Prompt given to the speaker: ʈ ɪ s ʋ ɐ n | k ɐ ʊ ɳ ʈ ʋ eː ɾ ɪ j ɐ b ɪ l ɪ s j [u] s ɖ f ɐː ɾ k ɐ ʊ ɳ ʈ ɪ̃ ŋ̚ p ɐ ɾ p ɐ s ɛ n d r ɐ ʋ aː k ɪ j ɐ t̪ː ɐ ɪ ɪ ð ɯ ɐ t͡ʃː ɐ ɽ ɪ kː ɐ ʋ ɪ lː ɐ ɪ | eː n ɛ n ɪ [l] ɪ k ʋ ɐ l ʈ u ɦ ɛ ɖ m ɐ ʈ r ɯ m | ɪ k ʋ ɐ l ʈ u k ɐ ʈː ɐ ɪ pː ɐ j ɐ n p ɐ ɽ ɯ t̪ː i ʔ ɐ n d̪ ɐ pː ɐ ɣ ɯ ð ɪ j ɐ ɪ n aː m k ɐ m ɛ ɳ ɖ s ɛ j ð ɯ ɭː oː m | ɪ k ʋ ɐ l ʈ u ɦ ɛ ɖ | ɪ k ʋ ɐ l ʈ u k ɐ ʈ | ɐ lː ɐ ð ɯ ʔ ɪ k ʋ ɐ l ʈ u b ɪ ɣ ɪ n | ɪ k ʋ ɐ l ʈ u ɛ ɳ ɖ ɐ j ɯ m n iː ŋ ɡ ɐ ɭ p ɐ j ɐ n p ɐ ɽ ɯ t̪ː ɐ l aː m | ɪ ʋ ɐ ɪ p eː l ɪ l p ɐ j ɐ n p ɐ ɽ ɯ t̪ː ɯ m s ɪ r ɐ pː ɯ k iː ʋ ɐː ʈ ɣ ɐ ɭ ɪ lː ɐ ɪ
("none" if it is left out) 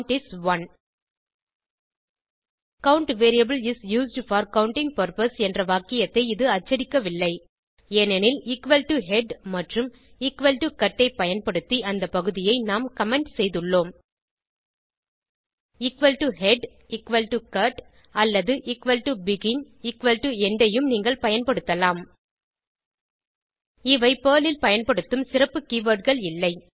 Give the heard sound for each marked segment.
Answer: uː, l

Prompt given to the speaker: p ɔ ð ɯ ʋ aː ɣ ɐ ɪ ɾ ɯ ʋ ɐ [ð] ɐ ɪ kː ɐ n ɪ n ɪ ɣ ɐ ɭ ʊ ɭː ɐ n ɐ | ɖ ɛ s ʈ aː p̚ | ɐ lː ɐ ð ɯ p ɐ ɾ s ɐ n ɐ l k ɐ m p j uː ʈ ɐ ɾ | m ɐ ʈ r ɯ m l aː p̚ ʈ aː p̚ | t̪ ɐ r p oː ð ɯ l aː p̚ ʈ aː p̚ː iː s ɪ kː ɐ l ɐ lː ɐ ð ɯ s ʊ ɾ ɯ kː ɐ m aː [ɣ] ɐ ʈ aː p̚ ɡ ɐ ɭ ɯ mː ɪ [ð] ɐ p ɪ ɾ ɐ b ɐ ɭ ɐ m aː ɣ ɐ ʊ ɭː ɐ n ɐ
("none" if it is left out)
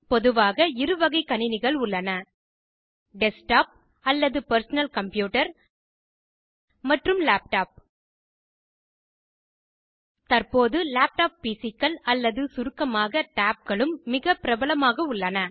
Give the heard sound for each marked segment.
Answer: ɣ, ɣ, ɣ

